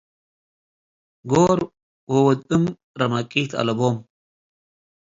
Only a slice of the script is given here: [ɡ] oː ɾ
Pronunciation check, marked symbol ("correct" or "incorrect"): correct